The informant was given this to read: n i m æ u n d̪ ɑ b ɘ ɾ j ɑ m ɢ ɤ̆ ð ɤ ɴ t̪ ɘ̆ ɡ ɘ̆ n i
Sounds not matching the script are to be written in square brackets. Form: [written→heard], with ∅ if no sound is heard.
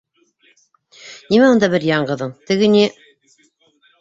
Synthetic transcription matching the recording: n i m æ u n d̪ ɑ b ɘ ɾ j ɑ [m→ɴ] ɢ ɤ̆ ð ɤ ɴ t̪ ɘ̆ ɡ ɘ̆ n i